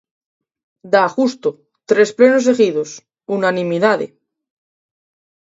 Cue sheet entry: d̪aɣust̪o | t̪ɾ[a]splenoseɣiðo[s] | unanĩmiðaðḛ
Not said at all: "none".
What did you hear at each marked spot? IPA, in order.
e, s

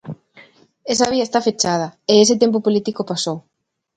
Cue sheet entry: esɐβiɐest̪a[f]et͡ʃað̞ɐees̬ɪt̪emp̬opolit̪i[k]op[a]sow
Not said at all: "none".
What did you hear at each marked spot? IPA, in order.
f, k, a

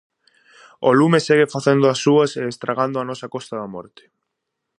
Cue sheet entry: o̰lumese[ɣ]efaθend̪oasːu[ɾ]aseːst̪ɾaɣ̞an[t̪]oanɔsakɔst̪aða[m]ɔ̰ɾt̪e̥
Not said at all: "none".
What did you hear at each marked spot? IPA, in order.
ɣ, none, d̪, m

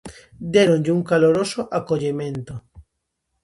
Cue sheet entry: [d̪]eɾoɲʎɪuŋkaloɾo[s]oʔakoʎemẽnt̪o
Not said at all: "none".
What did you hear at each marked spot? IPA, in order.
d̪, s

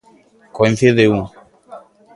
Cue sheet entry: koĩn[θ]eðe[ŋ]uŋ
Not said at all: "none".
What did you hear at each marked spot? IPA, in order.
θ, none

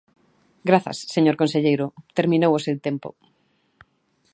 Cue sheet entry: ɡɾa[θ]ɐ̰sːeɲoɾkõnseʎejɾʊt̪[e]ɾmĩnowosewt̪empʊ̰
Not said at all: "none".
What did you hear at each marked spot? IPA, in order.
θ, e

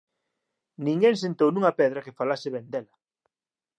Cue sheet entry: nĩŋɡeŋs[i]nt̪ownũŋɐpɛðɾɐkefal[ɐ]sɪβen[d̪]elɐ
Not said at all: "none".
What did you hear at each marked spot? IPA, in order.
e, a, d̪

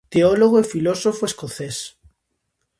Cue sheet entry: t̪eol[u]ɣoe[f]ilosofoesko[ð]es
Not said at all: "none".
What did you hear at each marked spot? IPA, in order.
o, f, θ

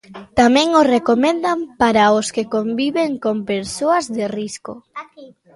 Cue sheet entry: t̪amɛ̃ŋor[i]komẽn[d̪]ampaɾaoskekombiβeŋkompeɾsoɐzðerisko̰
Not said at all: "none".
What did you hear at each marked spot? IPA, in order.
e, d̪

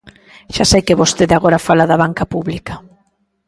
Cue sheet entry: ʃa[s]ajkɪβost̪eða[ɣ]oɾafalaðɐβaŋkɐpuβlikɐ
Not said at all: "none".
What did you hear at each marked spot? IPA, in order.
s, ɣ

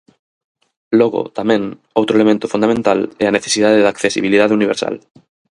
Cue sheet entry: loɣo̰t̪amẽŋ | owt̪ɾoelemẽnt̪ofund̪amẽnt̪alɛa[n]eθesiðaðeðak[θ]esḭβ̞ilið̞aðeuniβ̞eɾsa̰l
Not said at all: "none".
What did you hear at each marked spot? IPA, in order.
n, θ

